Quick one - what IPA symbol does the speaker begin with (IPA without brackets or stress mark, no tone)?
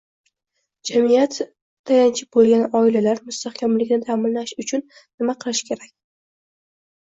d͡ʒ